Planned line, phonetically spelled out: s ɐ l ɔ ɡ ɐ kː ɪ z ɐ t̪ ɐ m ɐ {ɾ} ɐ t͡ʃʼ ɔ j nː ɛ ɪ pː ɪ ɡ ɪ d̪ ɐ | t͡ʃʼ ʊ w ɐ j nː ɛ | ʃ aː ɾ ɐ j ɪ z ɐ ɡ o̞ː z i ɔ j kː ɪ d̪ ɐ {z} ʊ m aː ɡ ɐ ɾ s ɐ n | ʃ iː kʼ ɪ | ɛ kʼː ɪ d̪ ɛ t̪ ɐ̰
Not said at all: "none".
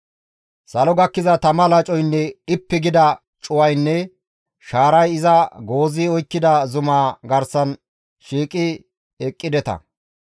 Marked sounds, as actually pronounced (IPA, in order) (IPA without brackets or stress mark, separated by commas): l, z